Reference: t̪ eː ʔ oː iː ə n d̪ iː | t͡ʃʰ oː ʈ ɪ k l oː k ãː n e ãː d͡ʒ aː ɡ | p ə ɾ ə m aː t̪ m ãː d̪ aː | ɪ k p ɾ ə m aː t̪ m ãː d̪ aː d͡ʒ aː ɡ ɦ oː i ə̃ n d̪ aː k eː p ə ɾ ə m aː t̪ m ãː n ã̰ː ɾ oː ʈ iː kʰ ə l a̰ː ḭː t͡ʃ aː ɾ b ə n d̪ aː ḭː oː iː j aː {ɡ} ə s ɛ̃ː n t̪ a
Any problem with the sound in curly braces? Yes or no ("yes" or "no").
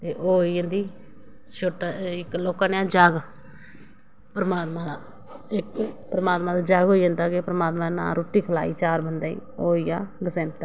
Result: no